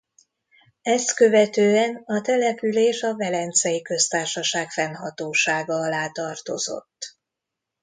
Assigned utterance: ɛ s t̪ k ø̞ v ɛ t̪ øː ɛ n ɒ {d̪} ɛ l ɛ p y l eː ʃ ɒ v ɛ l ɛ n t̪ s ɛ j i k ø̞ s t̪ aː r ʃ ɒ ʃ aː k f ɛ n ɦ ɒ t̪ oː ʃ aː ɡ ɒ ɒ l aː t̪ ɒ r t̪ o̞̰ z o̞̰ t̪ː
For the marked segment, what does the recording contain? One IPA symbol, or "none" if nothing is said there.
t̪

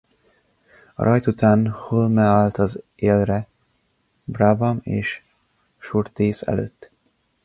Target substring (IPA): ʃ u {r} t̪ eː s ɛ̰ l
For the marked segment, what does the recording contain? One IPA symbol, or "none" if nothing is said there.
r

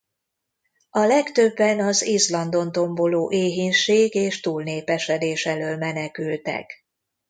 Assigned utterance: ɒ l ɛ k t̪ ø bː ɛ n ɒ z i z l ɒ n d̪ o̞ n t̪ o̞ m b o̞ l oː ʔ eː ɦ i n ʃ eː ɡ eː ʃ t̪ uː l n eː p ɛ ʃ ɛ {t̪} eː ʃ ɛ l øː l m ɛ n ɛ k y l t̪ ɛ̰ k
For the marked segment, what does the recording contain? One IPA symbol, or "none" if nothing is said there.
d̪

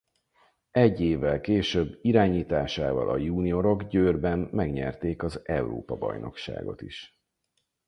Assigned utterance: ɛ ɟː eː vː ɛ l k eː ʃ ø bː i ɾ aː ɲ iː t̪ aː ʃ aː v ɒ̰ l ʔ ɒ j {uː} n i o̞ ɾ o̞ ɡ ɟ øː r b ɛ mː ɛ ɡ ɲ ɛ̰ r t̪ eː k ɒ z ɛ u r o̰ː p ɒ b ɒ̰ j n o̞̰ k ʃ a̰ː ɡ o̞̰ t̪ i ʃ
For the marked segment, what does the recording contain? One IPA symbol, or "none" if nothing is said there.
uː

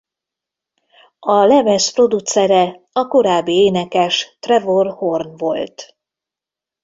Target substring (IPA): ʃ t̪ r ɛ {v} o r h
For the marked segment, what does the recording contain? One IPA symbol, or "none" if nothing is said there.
v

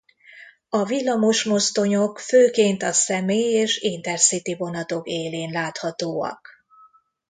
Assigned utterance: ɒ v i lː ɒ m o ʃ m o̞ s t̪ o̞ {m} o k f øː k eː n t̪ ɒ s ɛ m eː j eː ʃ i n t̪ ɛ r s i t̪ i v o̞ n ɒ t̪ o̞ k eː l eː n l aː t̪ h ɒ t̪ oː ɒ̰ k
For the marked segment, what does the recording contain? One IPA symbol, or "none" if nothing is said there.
ɲ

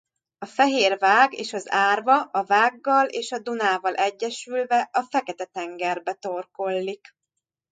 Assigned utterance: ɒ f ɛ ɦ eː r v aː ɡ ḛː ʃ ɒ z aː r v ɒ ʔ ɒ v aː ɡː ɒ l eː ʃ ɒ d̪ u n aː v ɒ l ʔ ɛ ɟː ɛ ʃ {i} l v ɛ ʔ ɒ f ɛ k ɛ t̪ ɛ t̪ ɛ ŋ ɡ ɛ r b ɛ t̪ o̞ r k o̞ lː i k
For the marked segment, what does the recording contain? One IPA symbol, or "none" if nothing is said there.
y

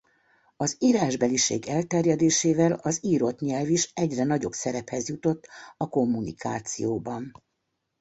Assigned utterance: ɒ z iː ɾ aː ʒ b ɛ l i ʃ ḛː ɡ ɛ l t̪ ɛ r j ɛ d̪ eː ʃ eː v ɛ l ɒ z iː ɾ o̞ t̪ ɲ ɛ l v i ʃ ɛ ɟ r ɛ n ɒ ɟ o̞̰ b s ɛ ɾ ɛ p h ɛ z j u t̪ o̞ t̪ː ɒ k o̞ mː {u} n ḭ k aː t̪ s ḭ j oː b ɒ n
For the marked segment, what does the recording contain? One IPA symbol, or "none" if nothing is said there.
u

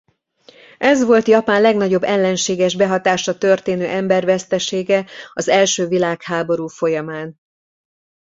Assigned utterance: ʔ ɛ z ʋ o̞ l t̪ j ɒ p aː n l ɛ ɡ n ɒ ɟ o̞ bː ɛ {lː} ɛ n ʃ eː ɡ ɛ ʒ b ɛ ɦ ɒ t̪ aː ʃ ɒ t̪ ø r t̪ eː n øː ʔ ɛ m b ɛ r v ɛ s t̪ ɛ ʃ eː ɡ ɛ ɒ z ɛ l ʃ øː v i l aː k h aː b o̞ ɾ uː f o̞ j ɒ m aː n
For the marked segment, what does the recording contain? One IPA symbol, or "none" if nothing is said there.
lː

